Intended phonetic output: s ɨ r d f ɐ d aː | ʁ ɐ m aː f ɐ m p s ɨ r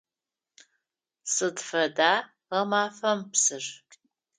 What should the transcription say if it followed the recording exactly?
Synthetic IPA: s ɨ d f ɐ d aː | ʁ ɐ m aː f ɐ m p s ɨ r